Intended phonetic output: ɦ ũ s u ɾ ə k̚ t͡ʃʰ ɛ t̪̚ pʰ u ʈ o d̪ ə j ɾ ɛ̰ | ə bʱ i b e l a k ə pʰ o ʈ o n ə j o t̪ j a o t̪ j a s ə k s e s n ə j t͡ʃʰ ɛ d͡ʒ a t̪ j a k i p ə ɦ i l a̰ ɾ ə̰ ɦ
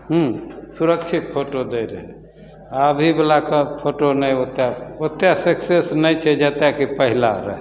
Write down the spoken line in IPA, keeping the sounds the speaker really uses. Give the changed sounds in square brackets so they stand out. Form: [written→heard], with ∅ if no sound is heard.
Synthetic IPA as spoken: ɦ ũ s u ɾ ə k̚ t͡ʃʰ [ɛ→i] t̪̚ pʰ [u→o] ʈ o d̪ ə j ɾ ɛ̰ | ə bʱ i b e l a k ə pʰ o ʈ o n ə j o t̪ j a o t̪ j a s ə k s e s n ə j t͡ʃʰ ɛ d͡ʒ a t̪ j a k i p ə ɦ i l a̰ ɾ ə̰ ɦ